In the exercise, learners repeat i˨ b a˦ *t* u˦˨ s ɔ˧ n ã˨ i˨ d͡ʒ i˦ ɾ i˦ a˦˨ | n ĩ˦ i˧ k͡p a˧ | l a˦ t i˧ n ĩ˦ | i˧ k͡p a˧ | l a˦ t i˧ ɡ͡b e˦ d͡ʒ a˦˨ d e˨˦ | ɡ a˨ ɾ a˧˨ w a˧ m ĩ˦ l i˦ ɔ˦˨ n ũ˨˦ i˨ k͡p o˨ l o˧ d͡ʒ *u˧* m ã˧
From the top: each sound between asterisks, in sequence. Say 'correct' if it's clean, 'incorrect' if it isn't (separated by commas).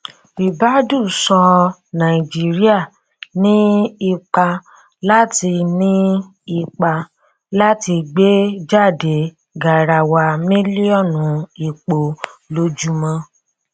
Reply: incorrect, correct